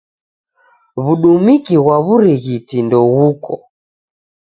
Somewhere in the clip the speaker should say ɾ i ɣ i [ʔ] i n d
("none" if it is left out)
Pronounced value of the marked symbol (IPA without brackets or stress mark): t